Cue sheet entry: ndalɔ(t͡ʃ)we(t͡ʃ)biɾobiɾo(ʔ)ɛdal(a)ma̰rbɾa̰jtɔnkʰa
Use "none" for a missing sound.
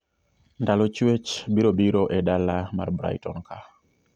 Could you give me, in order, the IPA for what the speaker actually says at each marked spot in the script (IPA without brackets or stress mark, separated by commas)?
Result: t͡ʃ, t͡ʃ, ʔ, a